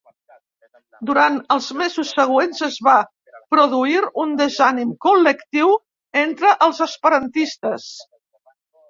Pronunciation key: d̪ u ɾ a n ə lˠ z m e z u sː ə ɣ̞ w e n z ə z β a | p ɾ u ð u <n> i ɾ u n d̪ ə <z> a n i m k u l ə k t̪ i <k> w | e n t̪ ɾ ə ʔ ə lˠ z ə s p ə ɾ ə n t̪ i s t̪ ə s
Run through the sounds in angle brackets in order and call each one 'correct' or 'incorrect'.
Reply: incorrect: none, correct, incorrect: none

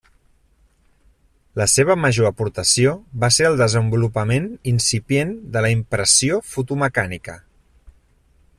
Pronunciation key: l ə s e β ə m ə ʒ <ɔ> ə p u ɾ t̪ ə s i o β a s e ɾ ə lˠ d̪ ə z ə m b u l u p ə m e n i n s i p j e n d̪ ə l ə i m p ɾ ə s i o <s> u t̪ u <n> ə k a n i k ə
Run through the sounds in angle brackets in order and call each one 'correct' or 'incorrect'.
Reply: incorrect: o, incorrect: f, incorrect: m

